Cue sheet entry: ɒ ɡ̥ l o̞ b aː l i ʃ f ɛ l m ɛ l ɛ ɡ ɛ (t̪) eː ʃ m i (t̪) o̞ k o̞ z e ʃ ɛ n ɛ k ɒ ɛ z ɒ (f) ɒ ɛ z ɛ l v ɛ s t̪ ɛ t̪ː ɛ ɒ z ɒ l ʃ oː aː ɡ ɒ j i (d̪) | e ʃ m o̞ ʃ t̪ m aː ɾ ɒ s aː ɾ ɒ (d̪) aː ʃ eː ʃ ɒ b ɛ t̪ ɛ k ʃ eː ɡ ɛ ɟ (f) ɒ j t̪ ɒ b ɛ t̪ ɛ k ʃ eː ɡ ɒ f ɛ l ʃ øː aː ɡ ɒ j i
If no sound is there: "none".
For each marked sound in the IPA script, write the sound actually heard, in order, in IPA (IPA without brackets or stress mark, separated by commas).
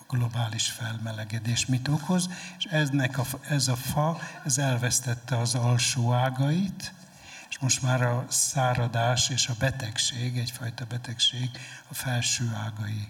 d̪, t̪, f, t̪, d̪, f